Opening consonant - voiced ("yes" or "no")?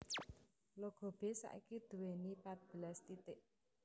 yes